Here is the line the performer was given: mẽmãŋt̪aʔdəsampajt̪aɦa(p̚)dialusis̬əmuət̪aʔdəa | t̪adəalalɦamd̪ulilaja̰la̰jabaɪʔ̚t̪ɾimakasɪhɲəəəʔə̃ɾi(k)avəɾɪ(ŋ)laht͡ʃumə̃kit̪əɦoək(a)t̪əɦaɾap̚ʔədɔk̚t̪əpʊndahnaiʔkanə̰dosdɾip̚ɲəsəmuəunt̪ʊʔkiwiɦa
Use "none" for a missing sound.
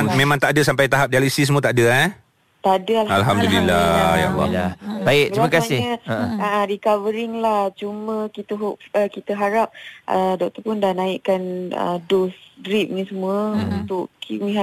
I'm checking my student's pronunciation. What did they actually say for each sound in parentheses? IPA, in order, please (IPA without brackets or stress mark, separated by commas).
p̚, k, ŋ, i